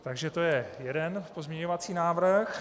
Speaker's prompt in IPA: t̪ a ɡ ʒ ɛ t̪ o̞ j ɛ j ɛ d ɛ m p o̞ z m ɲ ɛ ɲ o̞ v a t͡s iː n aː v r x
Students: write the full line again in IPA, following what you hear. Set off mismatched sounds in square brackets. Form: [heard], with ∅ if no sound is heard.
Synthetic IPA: t̪ a ɡ ʒ ɛ t̪ o̞ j ɛ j ɛ d ɛ [n] p o̞ z m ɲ ɛ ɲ o̞ v a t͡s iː n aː v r x